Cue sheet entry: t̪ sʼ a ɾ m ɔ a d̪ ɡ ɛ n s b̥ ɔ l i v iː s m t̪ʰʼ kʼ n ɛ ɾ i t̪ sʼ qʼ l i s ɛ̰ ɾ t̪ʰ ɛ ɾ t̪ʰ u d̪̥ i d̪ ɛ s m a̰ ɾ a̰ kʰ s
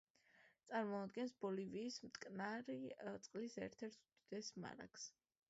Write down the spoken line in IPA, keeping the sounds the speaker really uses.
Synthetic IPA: t̪ sʼ a ɾ m ɔ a d̪ ɡ ɛ n s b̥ ɔ l i v iː s m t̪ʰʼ kʼ n a ɾ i t̪ sʼ qʼ l i s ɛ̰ ɾ t̪ʰ ɛ ɾ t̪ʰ u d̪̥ i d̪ ɛ s m a̰ ɾ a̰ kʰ s